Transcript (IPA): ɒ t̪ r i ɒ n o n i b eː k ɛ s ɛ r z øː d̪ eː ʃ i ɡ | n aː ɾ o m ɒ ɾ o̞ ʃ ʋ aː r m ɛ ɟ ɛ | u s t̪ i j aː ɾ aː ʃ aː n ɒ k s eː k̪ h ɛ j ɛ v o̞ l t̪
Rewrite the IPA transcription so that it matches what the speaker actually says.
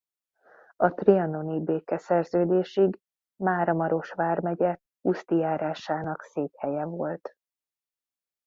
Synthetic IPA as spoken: ɒ t̪ r i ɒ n o n i b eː k ɛ s ɛ r z øː d̪ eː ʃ i ɡ | m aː ɾ ɒ m ɒ ɾ o̞ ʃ ʋ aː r m ɛ ɟ ɛ | u s t̪ i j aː ɾ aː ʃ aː n ɒ k s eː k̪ h ɛ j ɛ v o̞ l t̪